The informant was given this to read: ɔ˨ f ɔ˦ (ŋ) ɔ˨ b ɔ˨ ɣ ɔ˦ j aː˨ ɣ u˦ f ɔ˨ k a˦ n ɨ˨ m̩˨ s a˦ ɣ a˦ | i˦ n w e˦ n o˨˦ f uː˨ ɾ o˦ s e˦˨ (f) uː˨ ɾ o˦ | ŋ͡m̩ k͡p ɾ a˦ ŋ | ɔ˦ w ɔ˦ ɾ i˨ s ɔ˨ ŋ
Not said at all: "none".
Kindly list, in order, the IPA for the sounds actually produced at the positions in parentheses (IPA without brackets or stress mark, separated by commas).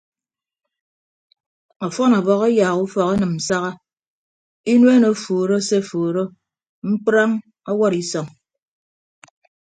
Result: n, f